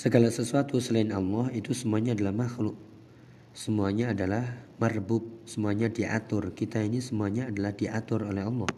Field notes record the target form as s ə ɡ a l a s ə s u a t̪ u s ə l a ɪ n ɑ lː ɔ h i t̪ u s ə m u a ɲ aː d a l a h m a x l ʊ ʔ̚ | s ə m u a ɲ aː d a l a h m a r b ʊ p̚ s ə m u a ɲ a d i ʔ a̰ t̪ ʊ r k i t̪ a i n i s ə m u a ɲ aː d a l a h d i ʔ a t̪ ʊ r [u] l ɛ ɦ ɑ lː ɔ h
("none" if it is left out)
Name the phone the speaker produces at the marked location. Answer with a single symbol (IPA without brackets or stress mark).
o